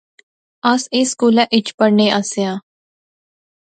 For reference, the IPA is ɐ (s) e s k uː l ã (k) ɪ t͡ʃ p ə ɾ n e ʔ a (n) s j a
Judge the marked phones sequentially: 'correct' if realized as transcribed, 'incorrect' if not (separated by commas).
correct, incorrect, incorrect